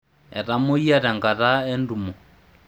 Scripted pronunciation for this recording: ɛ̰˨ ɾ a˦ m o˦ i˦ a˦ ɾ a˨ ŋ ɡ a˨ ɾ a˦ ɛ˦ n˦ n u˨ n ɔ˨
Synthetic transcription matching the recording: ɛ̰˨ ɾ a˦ m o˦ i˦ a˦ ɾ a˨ ŋ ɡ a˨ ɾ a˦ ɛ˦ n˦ d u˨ m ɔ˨